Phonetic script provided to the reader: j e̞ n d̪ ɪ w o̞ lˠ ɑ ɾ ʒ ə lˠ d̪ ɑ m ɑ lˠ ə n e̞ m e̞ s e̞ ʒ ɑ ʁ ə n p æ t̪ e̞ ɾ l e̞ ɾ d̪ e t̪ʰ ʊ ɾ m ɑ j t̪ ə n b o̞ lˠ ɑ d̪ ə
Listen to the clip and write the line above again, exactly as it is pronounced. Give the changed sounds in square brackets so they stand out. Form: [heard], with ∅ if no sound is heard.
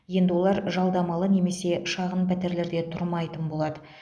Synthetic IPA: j e̞ n d̪ ɪ w o̞ lˠ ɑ ɾ ʒ [ɑ] lˠ d̪ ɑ m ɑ lˠ ə n e̞ m e̞ s e̞ [ʃ] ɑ ʁ ə n p æ t̪ e̞ ɾ l e̞ ɾ d̪ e t̪ʰ ʊ ɾ m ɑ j t̪ ə n b o̞ lˠ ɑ d̪ ə